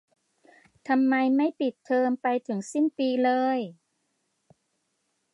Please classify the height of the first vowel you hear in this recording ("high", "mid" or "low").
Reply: low